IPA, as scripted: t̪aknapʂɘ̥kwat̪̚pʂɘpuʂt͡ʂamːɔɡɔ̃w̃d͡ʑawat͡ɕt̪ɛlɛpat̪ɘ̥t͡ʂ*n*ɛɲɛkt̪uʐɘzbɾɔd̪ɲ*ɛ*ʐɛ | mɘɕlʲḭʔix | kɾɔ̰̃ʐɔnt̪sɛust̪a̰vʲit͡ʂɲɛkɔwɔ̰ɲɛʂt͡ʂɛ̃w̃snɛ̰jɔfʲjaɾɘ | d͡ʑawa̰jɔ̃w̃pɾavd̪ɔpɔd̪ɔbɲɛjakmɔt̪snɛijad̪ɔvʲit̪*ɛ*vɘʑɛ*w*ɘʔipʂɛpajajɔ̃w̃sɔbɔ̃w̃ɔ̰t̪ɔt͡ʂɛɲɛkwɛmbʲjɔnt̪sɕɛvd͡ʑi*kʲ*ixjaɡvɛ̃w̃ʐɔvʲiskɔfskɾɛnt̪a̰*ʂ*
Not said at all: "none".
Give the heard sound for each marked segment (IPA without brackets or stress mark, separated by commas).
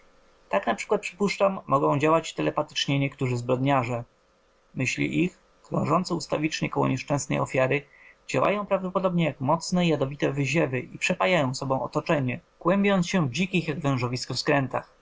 ɲ, a, ɛ, v, kʲ, x